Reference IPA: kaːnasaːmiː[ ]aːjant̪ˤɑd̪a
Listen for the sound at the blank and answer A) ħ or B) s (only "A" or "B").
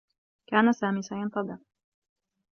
B